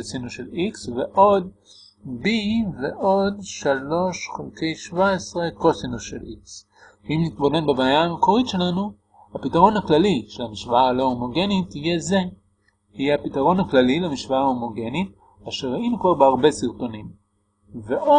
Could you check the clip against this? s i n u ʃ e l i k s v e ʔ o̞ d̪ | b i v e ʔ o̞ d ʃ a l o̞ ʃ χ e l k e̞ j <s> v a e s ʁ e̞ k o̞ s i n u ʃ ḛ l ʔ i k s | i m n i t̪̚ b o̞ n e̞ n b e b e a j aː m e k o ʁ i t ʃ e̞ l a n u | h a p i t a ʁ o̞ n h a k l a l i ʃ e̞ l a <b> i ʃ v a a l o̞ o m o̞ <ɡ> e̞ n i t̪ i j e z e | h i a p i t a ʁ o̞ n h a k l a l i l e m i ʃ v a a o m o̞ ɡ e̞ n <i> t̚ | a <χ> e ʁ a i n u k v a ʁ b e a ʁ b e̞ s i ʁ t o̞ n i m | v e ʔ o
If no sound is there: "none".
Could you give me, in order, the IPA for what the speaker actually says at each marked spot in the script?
ʃ, m, ɡ, i, ʃ

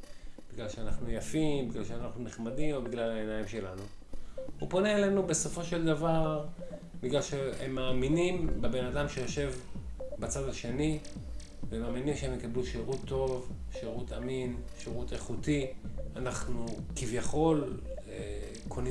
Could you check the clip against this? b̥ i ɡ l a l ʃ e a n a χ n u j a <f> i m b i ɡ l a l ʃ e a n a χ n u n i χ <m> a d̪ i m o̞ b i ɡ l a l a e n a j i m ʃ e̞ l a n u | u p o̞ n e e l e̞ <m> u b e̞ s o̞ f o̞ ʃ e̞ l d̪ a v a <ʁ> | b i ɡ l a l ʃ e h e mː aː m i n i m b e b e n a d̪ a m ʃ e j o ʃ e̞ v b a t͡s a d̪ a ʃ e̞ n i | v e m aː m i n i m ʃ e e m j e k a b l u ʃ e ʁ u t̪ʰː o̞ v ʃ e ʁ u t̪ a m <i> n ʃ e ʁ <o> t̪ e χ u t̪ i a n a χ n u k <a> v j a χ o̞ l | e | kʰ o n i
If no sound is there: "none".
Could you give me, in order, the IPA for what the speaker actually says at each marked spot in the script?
f, m, n, ʁ, i, u, i

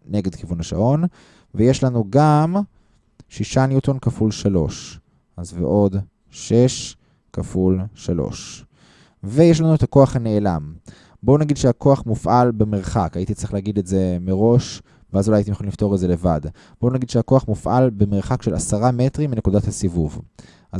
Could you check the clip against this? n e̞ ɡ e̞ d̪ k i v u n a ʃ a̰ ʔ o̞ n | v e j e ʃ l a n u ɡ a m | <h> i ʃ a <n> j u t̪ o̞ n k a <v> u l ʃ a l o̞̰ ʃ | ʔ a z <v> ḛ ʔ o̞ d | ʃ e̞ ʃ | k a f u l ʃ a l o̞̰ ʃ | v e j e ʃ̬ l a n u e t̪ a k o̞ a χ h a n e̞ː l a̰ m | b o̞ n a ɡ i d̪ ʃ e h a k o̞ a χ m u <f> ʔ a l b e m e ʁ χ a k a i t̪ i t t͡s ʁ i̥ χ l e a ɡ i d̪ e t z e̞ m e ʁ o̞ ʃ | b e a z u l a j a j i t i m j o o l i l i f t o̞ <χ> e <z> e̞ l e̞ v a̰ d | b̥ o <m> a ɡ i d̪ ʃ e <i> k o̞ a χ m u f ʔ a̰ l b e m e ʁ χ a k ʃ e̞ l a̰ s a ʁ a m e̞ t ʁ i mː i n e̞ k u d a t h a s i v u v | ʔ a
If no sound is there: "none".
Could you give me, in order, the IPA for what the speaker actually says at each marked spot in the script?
ʃ, n, f, v, f, ʁ, z, n, a

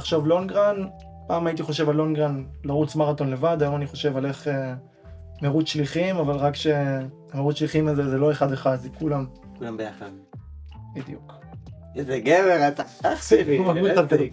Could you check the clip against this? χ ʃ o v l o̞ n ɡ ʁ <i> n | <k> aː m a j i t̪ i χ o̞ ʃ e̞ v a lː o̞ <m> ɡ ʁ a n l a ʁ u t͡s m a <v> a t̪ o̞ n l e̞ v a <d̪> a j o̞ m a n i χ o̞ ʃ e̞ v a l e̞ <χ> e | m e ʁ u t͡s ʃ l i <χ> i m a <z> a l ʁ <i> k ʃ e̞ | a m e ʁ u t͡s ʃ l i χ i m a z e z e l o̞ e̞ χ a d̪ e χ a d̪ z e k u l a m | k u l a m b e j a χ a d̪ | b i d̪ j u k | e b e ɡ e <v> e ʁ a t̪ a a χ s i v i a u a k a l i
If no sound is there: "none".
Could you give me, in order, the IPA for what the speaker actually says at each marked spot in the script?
a, p, n, ʁ, d̪, χ, χ, v, a, v

